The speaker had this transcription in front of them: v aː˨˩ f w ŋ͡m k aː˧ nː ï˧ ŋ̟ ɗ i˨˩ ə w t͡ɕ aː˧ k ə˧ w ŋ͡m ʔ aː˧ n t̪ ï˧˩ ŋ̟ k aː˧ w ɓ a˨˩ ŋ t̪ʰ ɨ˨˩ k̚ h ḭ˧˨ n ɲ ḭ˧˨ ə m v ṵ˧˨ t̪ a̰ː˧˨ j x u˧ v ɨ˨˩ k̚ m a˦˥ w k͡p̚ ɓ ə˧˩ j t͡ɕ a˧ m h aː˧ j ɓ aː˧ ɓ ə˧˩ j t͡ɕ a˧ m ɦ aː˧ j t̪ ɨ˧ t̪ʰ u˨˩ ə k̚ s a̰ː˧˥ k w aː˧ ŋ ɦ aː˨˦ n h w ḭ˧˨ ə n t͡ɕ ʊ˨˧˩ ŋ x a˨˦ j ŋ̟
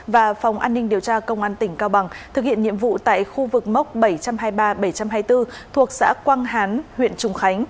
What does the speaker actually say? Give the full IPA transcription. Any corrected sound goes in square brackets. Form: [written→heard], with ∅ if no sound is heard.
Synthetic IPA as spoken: v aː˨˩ f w ŋ͡m [k→ʔ] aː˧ nː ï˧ ŋ̟ ɗ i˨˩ ə w t͡ɕ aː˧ k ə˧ w ŋ͡m ʔ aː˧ n t̪ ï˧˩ ŋ̟ k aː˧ w ɓ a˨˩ ŋ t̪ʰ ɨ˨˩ k̚ h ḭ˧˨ n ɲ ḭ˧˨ ə m v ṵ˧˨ t̪ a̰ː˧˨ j x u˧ v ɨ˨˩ k̚ m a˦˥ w k͡p̚ ɓ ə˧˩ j t͡ɕ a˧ m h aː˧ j ɓ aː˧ ɓ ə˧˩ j t͡ɕ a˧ m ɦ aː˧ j t̪ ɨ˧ t̪ʰ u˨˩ ə k̚ s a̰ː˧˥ k w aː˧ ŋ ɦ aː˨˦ n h w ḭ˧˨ ə n t͡ɕ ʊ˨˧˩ [ŋ→ŋ͡m] x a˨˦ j ŋ̟

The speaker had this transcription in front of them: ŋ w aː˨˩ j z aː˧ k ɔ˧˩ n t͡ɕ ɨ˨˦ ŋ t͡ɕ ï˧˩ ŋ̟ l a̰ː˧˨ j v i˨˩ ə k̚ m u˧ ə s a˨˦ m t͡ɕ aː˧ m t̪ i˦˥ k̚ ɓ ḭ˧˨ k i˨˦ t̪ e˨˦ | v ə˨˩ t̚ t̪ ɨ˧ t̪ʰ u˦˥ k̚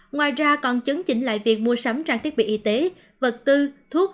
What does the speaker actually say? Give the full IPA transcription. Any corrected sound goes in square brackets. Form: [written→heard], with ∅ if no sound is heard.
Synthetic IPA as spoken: ŋ w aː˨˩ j z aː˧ k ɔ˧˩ n t͡ɕ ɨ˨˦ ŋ t͡ɕ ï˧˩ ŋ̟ l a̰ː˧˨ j v i˨˩ ə k̚ m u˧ ə s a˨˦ m t͡ɕ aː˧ [m→ŋ] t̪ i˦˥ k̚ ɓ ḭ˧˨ [k→ʔ] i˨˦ t̪ e˨˦ | v ə˨˩ t̚ t̪ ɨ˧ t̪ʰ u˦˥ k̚

